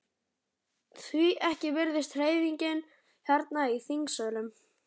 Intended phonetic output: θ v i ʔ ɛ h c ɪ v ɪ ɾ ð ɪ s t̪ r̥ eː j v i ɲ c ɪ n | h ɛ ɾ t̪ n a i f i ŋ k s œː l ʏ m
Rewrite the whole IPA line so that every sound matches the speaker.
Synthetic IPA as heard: θ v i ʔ ɛ h c ɪ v ɪ ɾ ð ɪ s t̪ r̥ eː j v i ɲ c ɪ n | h ɛ ɾ t̪ n a i θ i ŋ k s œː l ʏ m